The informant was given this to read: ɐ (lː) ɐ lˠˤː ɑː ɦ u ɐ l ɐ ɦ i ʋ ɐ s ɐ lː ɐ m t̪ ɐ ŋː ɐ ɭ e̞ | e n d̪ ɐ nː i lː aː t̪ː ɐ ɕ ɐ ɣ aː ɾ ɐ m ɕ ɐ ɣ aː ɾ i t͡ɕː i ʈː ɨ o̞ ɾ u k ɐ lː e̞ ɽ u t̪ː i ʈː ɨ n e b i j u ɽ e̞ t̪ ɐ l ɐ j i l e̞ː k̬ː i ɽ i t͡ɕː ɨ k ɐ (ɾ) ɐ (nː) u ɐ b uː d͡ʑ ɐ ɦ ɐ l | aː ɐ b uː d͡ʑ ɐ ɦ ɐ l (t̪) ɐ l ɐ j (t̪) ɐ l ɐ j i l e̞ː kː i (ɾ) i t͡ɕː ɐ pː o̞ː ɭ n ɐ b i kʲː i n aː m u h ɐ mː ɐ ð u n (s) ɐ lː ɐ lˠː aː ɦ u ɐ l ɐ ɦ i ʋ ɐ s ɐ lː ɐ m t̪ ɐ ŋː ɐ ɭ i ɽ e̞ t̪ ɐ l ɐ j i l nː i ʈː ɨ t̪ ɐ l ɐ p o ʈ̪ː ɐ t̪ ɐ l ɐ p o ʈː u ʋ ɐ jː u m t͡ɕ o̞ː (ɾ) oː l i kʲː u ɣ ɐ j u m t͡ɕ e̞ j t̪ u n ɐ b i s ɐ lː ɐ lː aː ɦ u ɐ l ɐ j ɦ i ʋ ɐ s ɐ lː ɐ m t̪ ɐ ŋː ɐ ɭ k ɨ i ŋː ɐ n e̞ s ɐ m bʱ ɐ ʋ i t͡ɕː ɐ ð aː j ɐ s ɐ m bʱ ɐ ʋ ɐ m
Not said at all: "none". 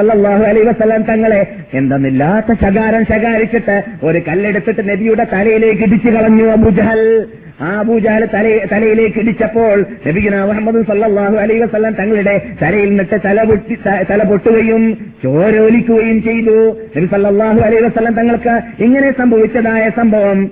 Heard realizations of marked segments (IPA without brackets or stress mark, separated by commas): lː, ɭ, ɲː, t̪, t̪, ɽ, s, ɾ